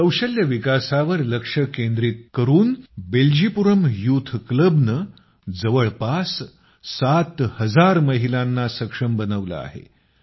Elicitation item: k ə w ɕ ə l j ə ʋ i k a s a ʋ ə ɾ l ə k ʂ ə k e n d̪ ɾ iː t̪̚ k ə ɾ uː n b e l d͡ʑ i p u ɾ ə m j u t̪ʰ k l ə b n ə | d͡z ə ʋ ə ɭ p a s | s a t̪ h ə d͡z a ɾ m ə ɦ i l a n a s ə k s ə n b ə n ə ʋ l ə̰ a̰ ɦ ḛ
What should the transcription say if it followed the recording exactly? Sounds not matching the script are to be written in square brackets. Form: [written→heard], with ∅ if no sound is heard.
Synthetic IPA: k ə w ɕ ə l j ə ʋ i k a s a ʋ ə ɾ l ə k ʂ ə k e n d̪ ɾ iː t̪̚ k ə ɾ uː n b e l d͡ʑ i p u ɾ ə m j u t̪ʰ k l ə b n ə | d͡z ə ʋ ə ɭ p a s | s a t̪ h ə d͡z a ɾ m ə ɦ i l a [n→nː] a s ə k [s→ʂ] ə [n→m] b ə n ə ʋ l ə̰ a̰ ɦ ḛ

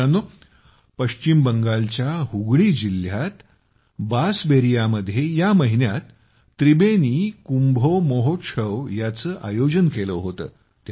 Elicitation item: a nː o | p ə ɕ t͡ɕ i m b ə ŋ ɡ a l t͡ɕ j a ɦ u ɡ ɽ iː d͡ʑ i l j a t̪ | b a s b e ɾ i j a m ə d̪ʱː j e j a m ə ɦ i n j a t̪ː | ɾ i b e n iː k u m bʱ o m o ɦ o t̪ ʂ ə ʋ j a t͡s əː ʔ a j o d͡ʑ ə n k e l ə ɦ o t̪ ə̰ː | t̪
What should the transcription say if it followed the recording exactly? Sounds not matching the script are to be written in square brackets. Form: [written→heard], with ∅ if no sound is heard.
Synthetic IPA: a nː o | p ə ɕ t͡ɕ i m b ə ŋ ɡ a l t͡ɕ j a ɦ u ɡ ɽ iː d͡ʑ i l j a t̪ | b a s b e ɾ i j a m ə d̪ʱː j e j a m ə ɦ i n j a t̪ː | ɾ i b e n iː k u m bʱ o m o ɦ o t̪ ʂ ə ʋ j a t͡s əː ʔ a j o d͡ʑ ə n k e l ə ɦ o t̪ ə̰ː | t̪

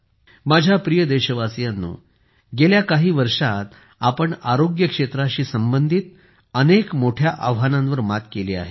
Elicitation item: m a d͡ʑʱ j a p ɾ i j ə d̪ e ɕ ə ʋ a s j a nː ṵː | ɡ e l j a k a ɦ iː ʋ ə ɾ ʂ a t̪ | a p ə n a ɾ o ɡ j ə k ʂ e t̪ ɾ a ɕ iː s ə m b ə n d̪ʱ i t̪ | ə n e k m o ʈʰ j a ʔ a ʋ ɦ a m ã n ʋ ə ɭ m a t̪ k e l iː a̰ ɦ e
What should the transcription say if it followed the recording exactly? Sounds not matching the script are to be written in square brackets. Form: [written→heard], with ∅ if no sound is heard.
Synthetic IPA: m a d͡ʑʱ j a p ɾ i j ə d̪ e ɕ ə ʋ a s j a nː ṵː | ɡ e l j a k a ɦ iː ʋ ə ɾ ʂ a t̪ | a p ə [n→ɳ] a ɾ o ɡ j ə k ʂ e t̪ ɾ a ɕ iː s ə m b ə n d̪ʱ i t̪ | ə n e k m o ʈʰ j a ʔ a ʋ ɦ a [m→n] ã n ʋ ə [ɭ→ɾ] m a t̪ k e l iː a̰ ɦ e

